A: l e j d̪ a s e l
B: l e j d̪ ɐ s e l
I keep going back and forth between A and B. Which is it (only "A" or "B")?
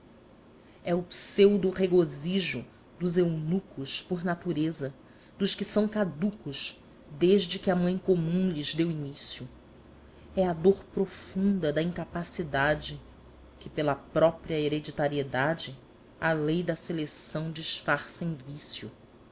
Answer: B